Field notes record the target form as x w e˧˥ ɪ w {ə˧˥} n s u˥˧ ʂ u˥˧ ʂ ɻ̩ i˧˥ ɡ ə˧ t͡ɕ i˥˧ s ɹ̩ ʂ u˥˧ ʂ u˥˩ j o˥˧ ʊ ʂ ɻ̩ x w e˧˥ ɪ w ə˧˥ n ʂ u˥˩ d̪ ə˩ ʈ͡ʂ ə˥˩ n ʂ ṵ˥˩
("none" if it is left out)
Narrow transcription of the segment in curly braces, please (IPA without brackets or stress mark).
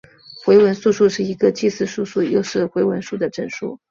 ə˧˥